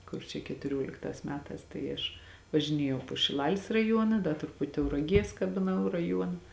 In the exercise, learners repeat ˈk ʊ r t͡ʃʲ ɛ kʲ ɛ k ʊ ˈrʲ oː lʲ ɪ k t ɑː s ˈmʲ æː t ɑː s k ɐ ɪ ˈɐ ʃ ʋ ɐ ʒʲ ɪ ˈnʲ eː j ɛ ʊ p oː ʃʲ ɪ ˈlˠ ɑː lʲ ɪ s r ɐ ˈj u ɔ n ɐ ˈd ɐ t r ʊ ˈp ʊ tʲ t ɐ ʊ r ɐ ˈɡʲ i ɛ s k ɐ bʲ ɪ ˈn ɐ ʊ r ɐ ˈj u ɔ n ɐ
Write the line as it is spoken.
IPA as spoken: ˈk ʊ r t͡ʃʲ ɛ kʲ ɛ t ʊ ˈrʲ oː lʲ ɪ k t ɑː s ˈmʲ æː t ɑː s t ɐ ɪ ˈɐ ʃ ʋ ɐ ʒʲ ɪ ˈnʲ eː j ɛ ʊ p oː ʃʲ ɪ ˈlˠ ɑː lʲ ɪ s r ɐ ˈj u ɔ n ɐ ˈd ɐ t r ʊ ˈp ʊ tʲ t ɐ ʊ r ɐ ˈɡʲ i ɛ s k ɐ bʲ ɪ ˈn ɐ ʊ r ɐ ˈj u ɔ n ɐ